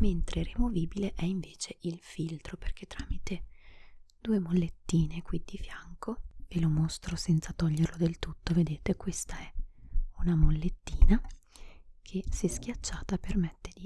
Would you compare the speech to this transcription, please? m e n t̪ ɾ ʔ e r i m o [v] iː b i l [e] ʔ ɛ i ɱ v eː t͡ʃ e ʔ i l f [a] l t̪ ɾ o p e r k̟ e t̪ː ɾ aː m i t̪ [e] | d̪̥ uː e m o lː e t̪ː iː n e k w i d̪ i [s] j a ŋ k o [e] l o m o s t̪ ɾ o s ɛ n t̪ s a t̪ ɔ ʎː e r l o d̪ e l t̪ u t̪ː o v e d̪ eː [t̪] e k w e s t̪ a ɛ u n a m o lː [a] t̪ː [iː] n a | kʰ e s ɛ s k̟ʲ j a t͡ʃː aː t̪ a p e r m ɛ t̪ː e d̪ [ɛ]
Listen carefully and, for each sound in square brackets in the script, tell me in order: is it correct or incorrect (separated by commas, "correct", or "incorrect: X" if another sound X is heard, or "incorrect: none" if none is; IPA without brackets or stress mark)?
correct, correct, incorrect: i, correct, incorrect: f, correct, correct, incorrect: e, correct, incorrect: i